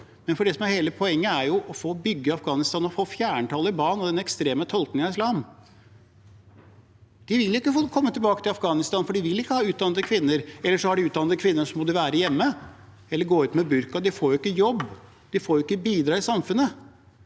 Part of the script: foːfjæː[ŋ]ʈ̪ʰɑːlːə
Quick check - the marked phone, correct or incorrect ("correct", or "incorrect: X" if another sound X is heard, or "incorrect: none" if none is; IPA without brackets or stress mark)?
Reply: incorrect: ɳ